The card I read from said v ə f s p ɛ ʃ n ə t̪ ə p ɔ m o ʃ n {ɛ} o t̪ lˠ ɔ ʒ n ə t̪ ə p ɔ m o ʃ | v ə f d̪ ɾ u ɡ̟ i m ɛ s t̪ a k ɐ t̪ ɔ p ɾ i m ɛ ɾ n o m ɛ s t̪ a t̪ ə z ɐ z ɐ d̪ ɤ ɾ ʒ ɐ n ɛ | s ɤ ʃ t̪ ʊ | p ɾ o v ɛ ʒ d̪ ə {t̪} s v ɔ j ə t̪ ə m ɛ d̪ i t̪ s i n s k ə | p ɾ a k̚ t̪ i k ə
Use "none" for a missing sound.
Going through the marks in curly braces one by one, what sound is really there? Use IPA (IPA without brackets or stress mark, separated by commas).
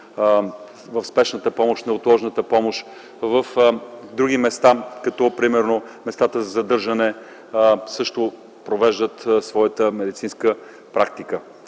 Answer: ɛ, t̪